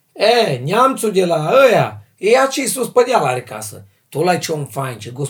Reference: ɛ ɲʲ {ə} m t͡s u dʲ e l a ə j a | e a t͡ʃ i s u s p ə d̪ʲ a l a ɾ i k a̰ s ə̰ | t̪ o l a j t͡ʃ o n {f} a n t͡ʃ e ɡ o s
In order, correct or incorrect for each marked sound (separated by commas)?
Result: incorrect, correct